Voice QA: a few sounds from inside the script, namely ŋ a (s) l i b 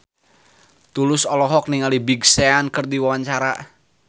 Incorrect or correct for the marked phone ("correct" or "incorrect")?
incorrect